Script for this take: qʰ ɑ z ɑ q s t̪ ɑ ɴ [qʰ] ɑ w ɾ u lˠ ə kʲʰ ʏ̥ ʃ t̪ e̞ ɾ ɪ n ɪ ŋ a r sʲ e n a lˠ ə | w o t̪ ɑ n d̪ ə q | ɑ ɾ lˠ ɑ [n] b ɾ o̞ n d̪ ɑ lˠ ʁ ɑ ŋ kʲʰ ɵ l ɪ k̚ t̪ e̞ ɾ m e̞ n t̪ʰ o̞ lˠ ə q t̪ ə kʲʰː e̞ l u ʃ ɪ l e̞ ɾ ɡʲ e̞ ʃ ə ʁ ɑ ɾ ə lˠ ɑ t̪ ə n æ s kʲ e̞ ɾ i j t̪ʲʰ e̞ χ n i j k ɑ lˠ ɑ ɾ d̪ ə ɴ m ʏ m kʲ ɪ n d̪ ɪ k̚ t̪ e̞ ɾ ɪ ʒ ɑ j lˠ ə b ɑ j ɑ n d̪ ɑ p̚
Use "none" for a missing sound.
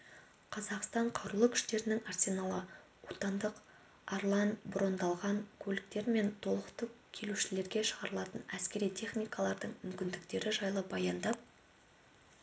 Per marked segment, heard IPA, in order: qʰ, n

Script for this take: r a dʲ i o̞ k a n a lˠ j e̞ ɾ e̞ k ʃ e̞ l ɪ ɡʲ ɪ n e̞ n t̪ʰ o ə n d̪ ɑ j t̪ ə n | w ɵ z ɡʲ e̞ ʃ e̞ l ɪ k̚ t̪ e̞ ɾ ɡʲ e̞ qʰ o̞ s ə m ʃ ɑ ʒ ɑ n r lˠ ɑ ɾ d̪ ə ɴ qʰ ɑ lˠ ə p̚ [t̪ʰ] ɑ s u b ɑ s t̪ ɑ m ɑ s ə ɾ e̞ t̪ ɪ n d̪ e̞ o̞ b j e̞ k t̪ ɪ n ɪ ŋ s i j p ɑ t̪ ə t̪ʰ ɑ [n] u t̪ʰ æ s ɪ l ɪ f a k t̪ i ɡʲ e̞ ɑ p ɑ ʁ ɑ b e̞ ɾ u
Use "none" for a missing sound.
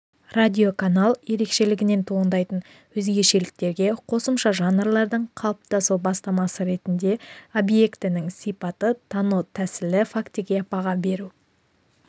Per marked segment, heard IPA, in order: t̪, n

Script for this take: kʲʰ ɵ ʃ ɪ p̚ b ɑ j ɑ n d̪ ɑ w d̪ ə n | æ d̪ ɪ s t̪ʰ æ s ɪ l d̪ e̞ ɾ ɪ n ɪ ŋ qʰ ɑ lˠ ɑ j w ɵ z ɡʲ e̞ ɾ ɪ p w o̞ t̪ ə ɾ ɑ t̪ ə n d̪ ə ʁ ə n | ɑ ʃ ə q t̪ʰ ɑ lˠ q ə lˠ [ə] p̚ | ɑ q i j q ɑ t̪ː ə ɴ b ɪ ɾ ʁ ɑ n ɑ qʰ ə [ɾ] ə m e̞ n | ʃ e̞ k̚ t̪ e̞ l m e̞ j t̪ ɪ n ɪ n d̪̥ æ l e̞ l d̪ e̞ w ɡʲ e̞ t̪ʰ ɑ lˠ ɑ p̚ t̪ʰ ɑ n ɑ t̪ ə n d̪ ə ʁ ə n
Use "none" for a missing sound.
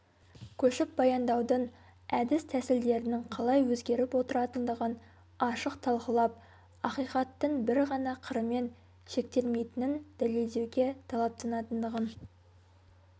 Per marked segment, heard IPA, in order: ɑ, ɾ

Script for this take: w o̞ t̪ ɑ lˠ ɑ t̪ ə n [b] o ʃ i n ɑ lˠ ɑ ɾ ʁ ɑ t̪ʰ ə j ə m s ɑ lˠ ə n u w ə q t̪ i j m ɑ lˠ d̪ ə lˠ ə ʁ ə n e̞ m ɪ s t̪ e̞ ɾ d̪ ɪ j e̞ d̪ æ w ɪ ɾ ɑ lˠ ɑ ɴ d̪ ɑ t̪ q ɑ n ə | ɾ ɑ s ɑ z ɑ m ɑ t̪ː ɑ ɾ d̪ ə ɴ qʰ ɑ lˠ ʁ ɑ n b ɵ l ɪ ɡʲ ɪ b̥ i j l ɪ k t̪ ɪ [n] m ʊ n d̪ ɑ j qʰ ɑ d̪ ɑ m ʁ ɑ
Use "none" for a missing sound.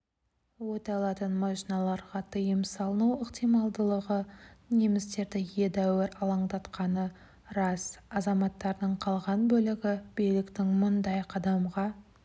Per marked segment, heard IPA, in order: m, ŋ

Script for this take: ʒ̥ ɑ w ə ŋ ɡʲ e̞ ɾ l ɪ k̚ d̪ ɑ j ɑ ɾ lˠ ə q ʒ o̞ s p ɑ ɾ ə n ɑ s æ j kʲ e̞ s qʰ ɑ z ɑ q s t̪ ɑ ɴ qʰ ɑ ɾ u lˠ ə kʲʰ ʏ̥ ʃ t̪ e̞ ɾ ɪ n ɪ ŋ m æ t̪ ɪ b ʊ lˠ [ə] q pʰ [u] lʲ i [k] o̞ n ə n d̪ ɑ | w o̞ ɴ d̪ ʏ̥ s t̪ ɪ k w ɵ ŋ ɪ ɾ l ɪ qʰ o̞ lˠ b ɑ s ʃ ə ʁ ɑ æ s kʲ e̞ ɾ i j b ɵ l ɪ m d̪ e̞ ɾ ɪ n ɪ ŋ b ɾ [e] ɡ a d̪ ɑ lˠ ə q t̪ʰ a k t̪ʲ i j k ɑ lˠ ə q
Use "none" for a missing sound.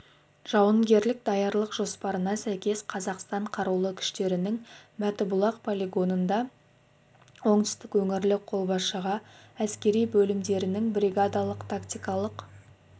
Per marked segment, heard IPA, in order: ɑ, o, ɡ, i

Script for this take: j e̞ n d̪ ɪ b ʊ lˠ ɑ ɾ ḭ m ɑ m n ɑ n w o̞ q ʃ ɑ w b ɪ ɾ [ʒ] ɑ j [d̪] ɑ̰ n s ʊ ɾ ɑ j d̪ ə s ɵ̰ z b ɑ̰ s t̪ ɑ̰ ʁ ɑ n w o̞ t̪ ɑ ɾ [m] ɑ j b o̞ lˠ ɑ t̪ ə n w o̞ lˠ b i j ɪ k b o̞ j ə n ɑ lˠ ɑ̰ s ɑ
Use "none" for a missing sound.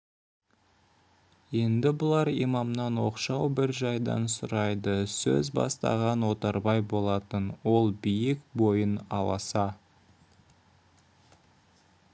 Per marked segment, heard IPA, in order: ʒ, d̪, b

